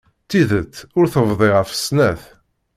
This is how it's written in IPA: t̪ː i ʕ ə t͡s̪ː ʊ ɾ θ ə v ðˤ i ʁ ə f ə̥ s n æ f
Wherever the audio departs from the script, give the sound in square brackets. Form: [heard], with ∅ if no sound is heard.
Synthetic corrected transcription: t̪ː i [ð] ə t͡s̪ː ʊ ɾ θ ə v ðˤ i ʁ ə f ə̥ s n æ [θ]

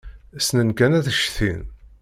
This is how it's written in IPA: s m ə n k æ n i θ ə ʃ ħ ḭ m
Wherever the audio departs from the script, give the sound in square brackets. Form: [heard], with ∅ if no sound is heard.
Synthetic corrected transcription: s [n] ə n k æ n [æ] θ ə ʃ [θ] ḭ [n]

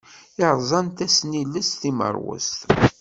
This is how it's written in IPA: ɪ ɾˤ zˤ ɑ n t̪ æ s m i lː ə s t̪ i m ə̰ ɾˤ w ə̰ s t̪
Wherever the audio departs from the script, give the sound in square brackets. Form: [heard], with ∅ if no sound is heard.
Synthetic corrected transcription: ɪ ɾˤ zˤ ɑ n t̪ æ s [n] i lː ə s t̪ i m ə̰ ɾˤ w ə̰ s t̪

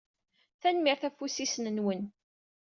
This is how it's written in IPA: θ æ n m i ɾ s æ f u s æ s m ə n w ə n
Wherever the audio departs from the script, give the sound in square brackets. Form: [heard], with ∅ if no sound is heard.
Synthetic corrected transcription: θ æ n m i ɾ [θ] æ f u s [i] s [n] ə n w ə n

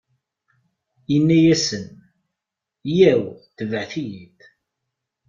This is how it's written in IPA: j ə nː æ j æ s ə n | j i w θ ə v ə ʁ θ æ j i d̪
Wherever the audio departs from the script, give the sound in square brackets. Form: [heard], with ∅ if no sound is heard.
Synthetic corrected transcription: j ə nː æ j æ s ə n | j [æ] w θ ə v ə [ʕ] θ [i] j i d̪

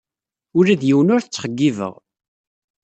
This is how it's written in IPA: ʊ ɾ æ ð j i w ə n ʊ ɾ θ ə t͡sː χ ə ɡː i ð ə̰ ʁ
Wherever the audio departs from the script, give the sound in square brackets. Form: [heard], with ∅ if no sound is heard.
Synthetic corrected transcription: ʊ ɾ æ ð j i w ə n ʊ ɾ θ ə t͡sː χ ə ɡː i [v] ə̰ ʁ

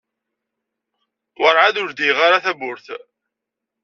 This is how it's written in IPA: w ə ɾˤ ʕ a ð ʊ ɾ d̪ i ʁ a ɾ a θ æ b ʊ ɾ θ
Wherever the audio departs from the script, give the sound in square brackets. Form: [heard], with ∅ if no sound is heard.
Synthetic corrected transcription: w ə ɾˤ ʕ a ð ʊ ɾ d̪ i ʁ a ɾ a θ æ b ʊ ɾ θ

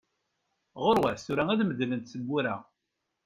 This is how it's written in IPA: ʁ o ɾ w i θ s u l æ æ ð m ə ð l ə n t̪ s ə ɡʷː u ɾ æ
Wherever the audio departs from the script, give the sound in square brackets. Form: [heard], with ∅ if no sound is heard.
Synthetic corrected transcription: ʁ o ɾ w [æ] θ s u [ɾ] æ æ ð m ə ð l ə n t̪ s ə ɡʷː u ɾ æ

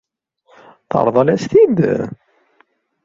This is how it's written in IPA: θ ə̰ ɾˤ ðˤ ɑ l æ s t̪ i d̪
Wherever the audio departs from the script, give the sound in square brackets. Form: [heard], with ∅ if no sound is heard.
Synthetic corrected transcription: θ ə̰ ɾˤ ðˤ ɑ l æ s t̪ i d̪

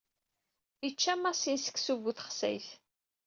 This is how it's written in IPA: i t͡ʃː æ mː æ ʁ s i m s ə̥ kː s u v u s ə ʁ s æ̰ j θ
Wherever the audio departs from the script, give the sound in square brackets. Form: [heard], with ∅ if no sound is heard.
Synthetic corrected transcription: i t͡ʃː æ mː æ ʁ s i [n] s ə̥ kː s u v u [θ] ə [χ] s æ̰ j θ

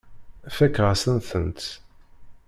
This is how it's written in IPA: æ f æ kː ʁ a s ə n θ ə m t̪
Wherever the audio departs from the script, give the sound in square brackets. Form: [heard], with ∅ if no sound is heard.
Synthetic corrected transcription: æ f æ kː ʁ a s ə n θ ə [n] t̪

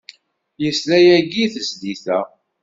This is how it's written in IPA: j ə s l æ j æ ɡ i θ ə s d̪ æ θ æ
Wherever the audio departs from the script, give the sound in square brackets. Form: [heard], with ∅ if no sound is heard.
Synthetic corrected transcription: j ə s l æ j æ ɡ i θ ə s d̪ [i] θ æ

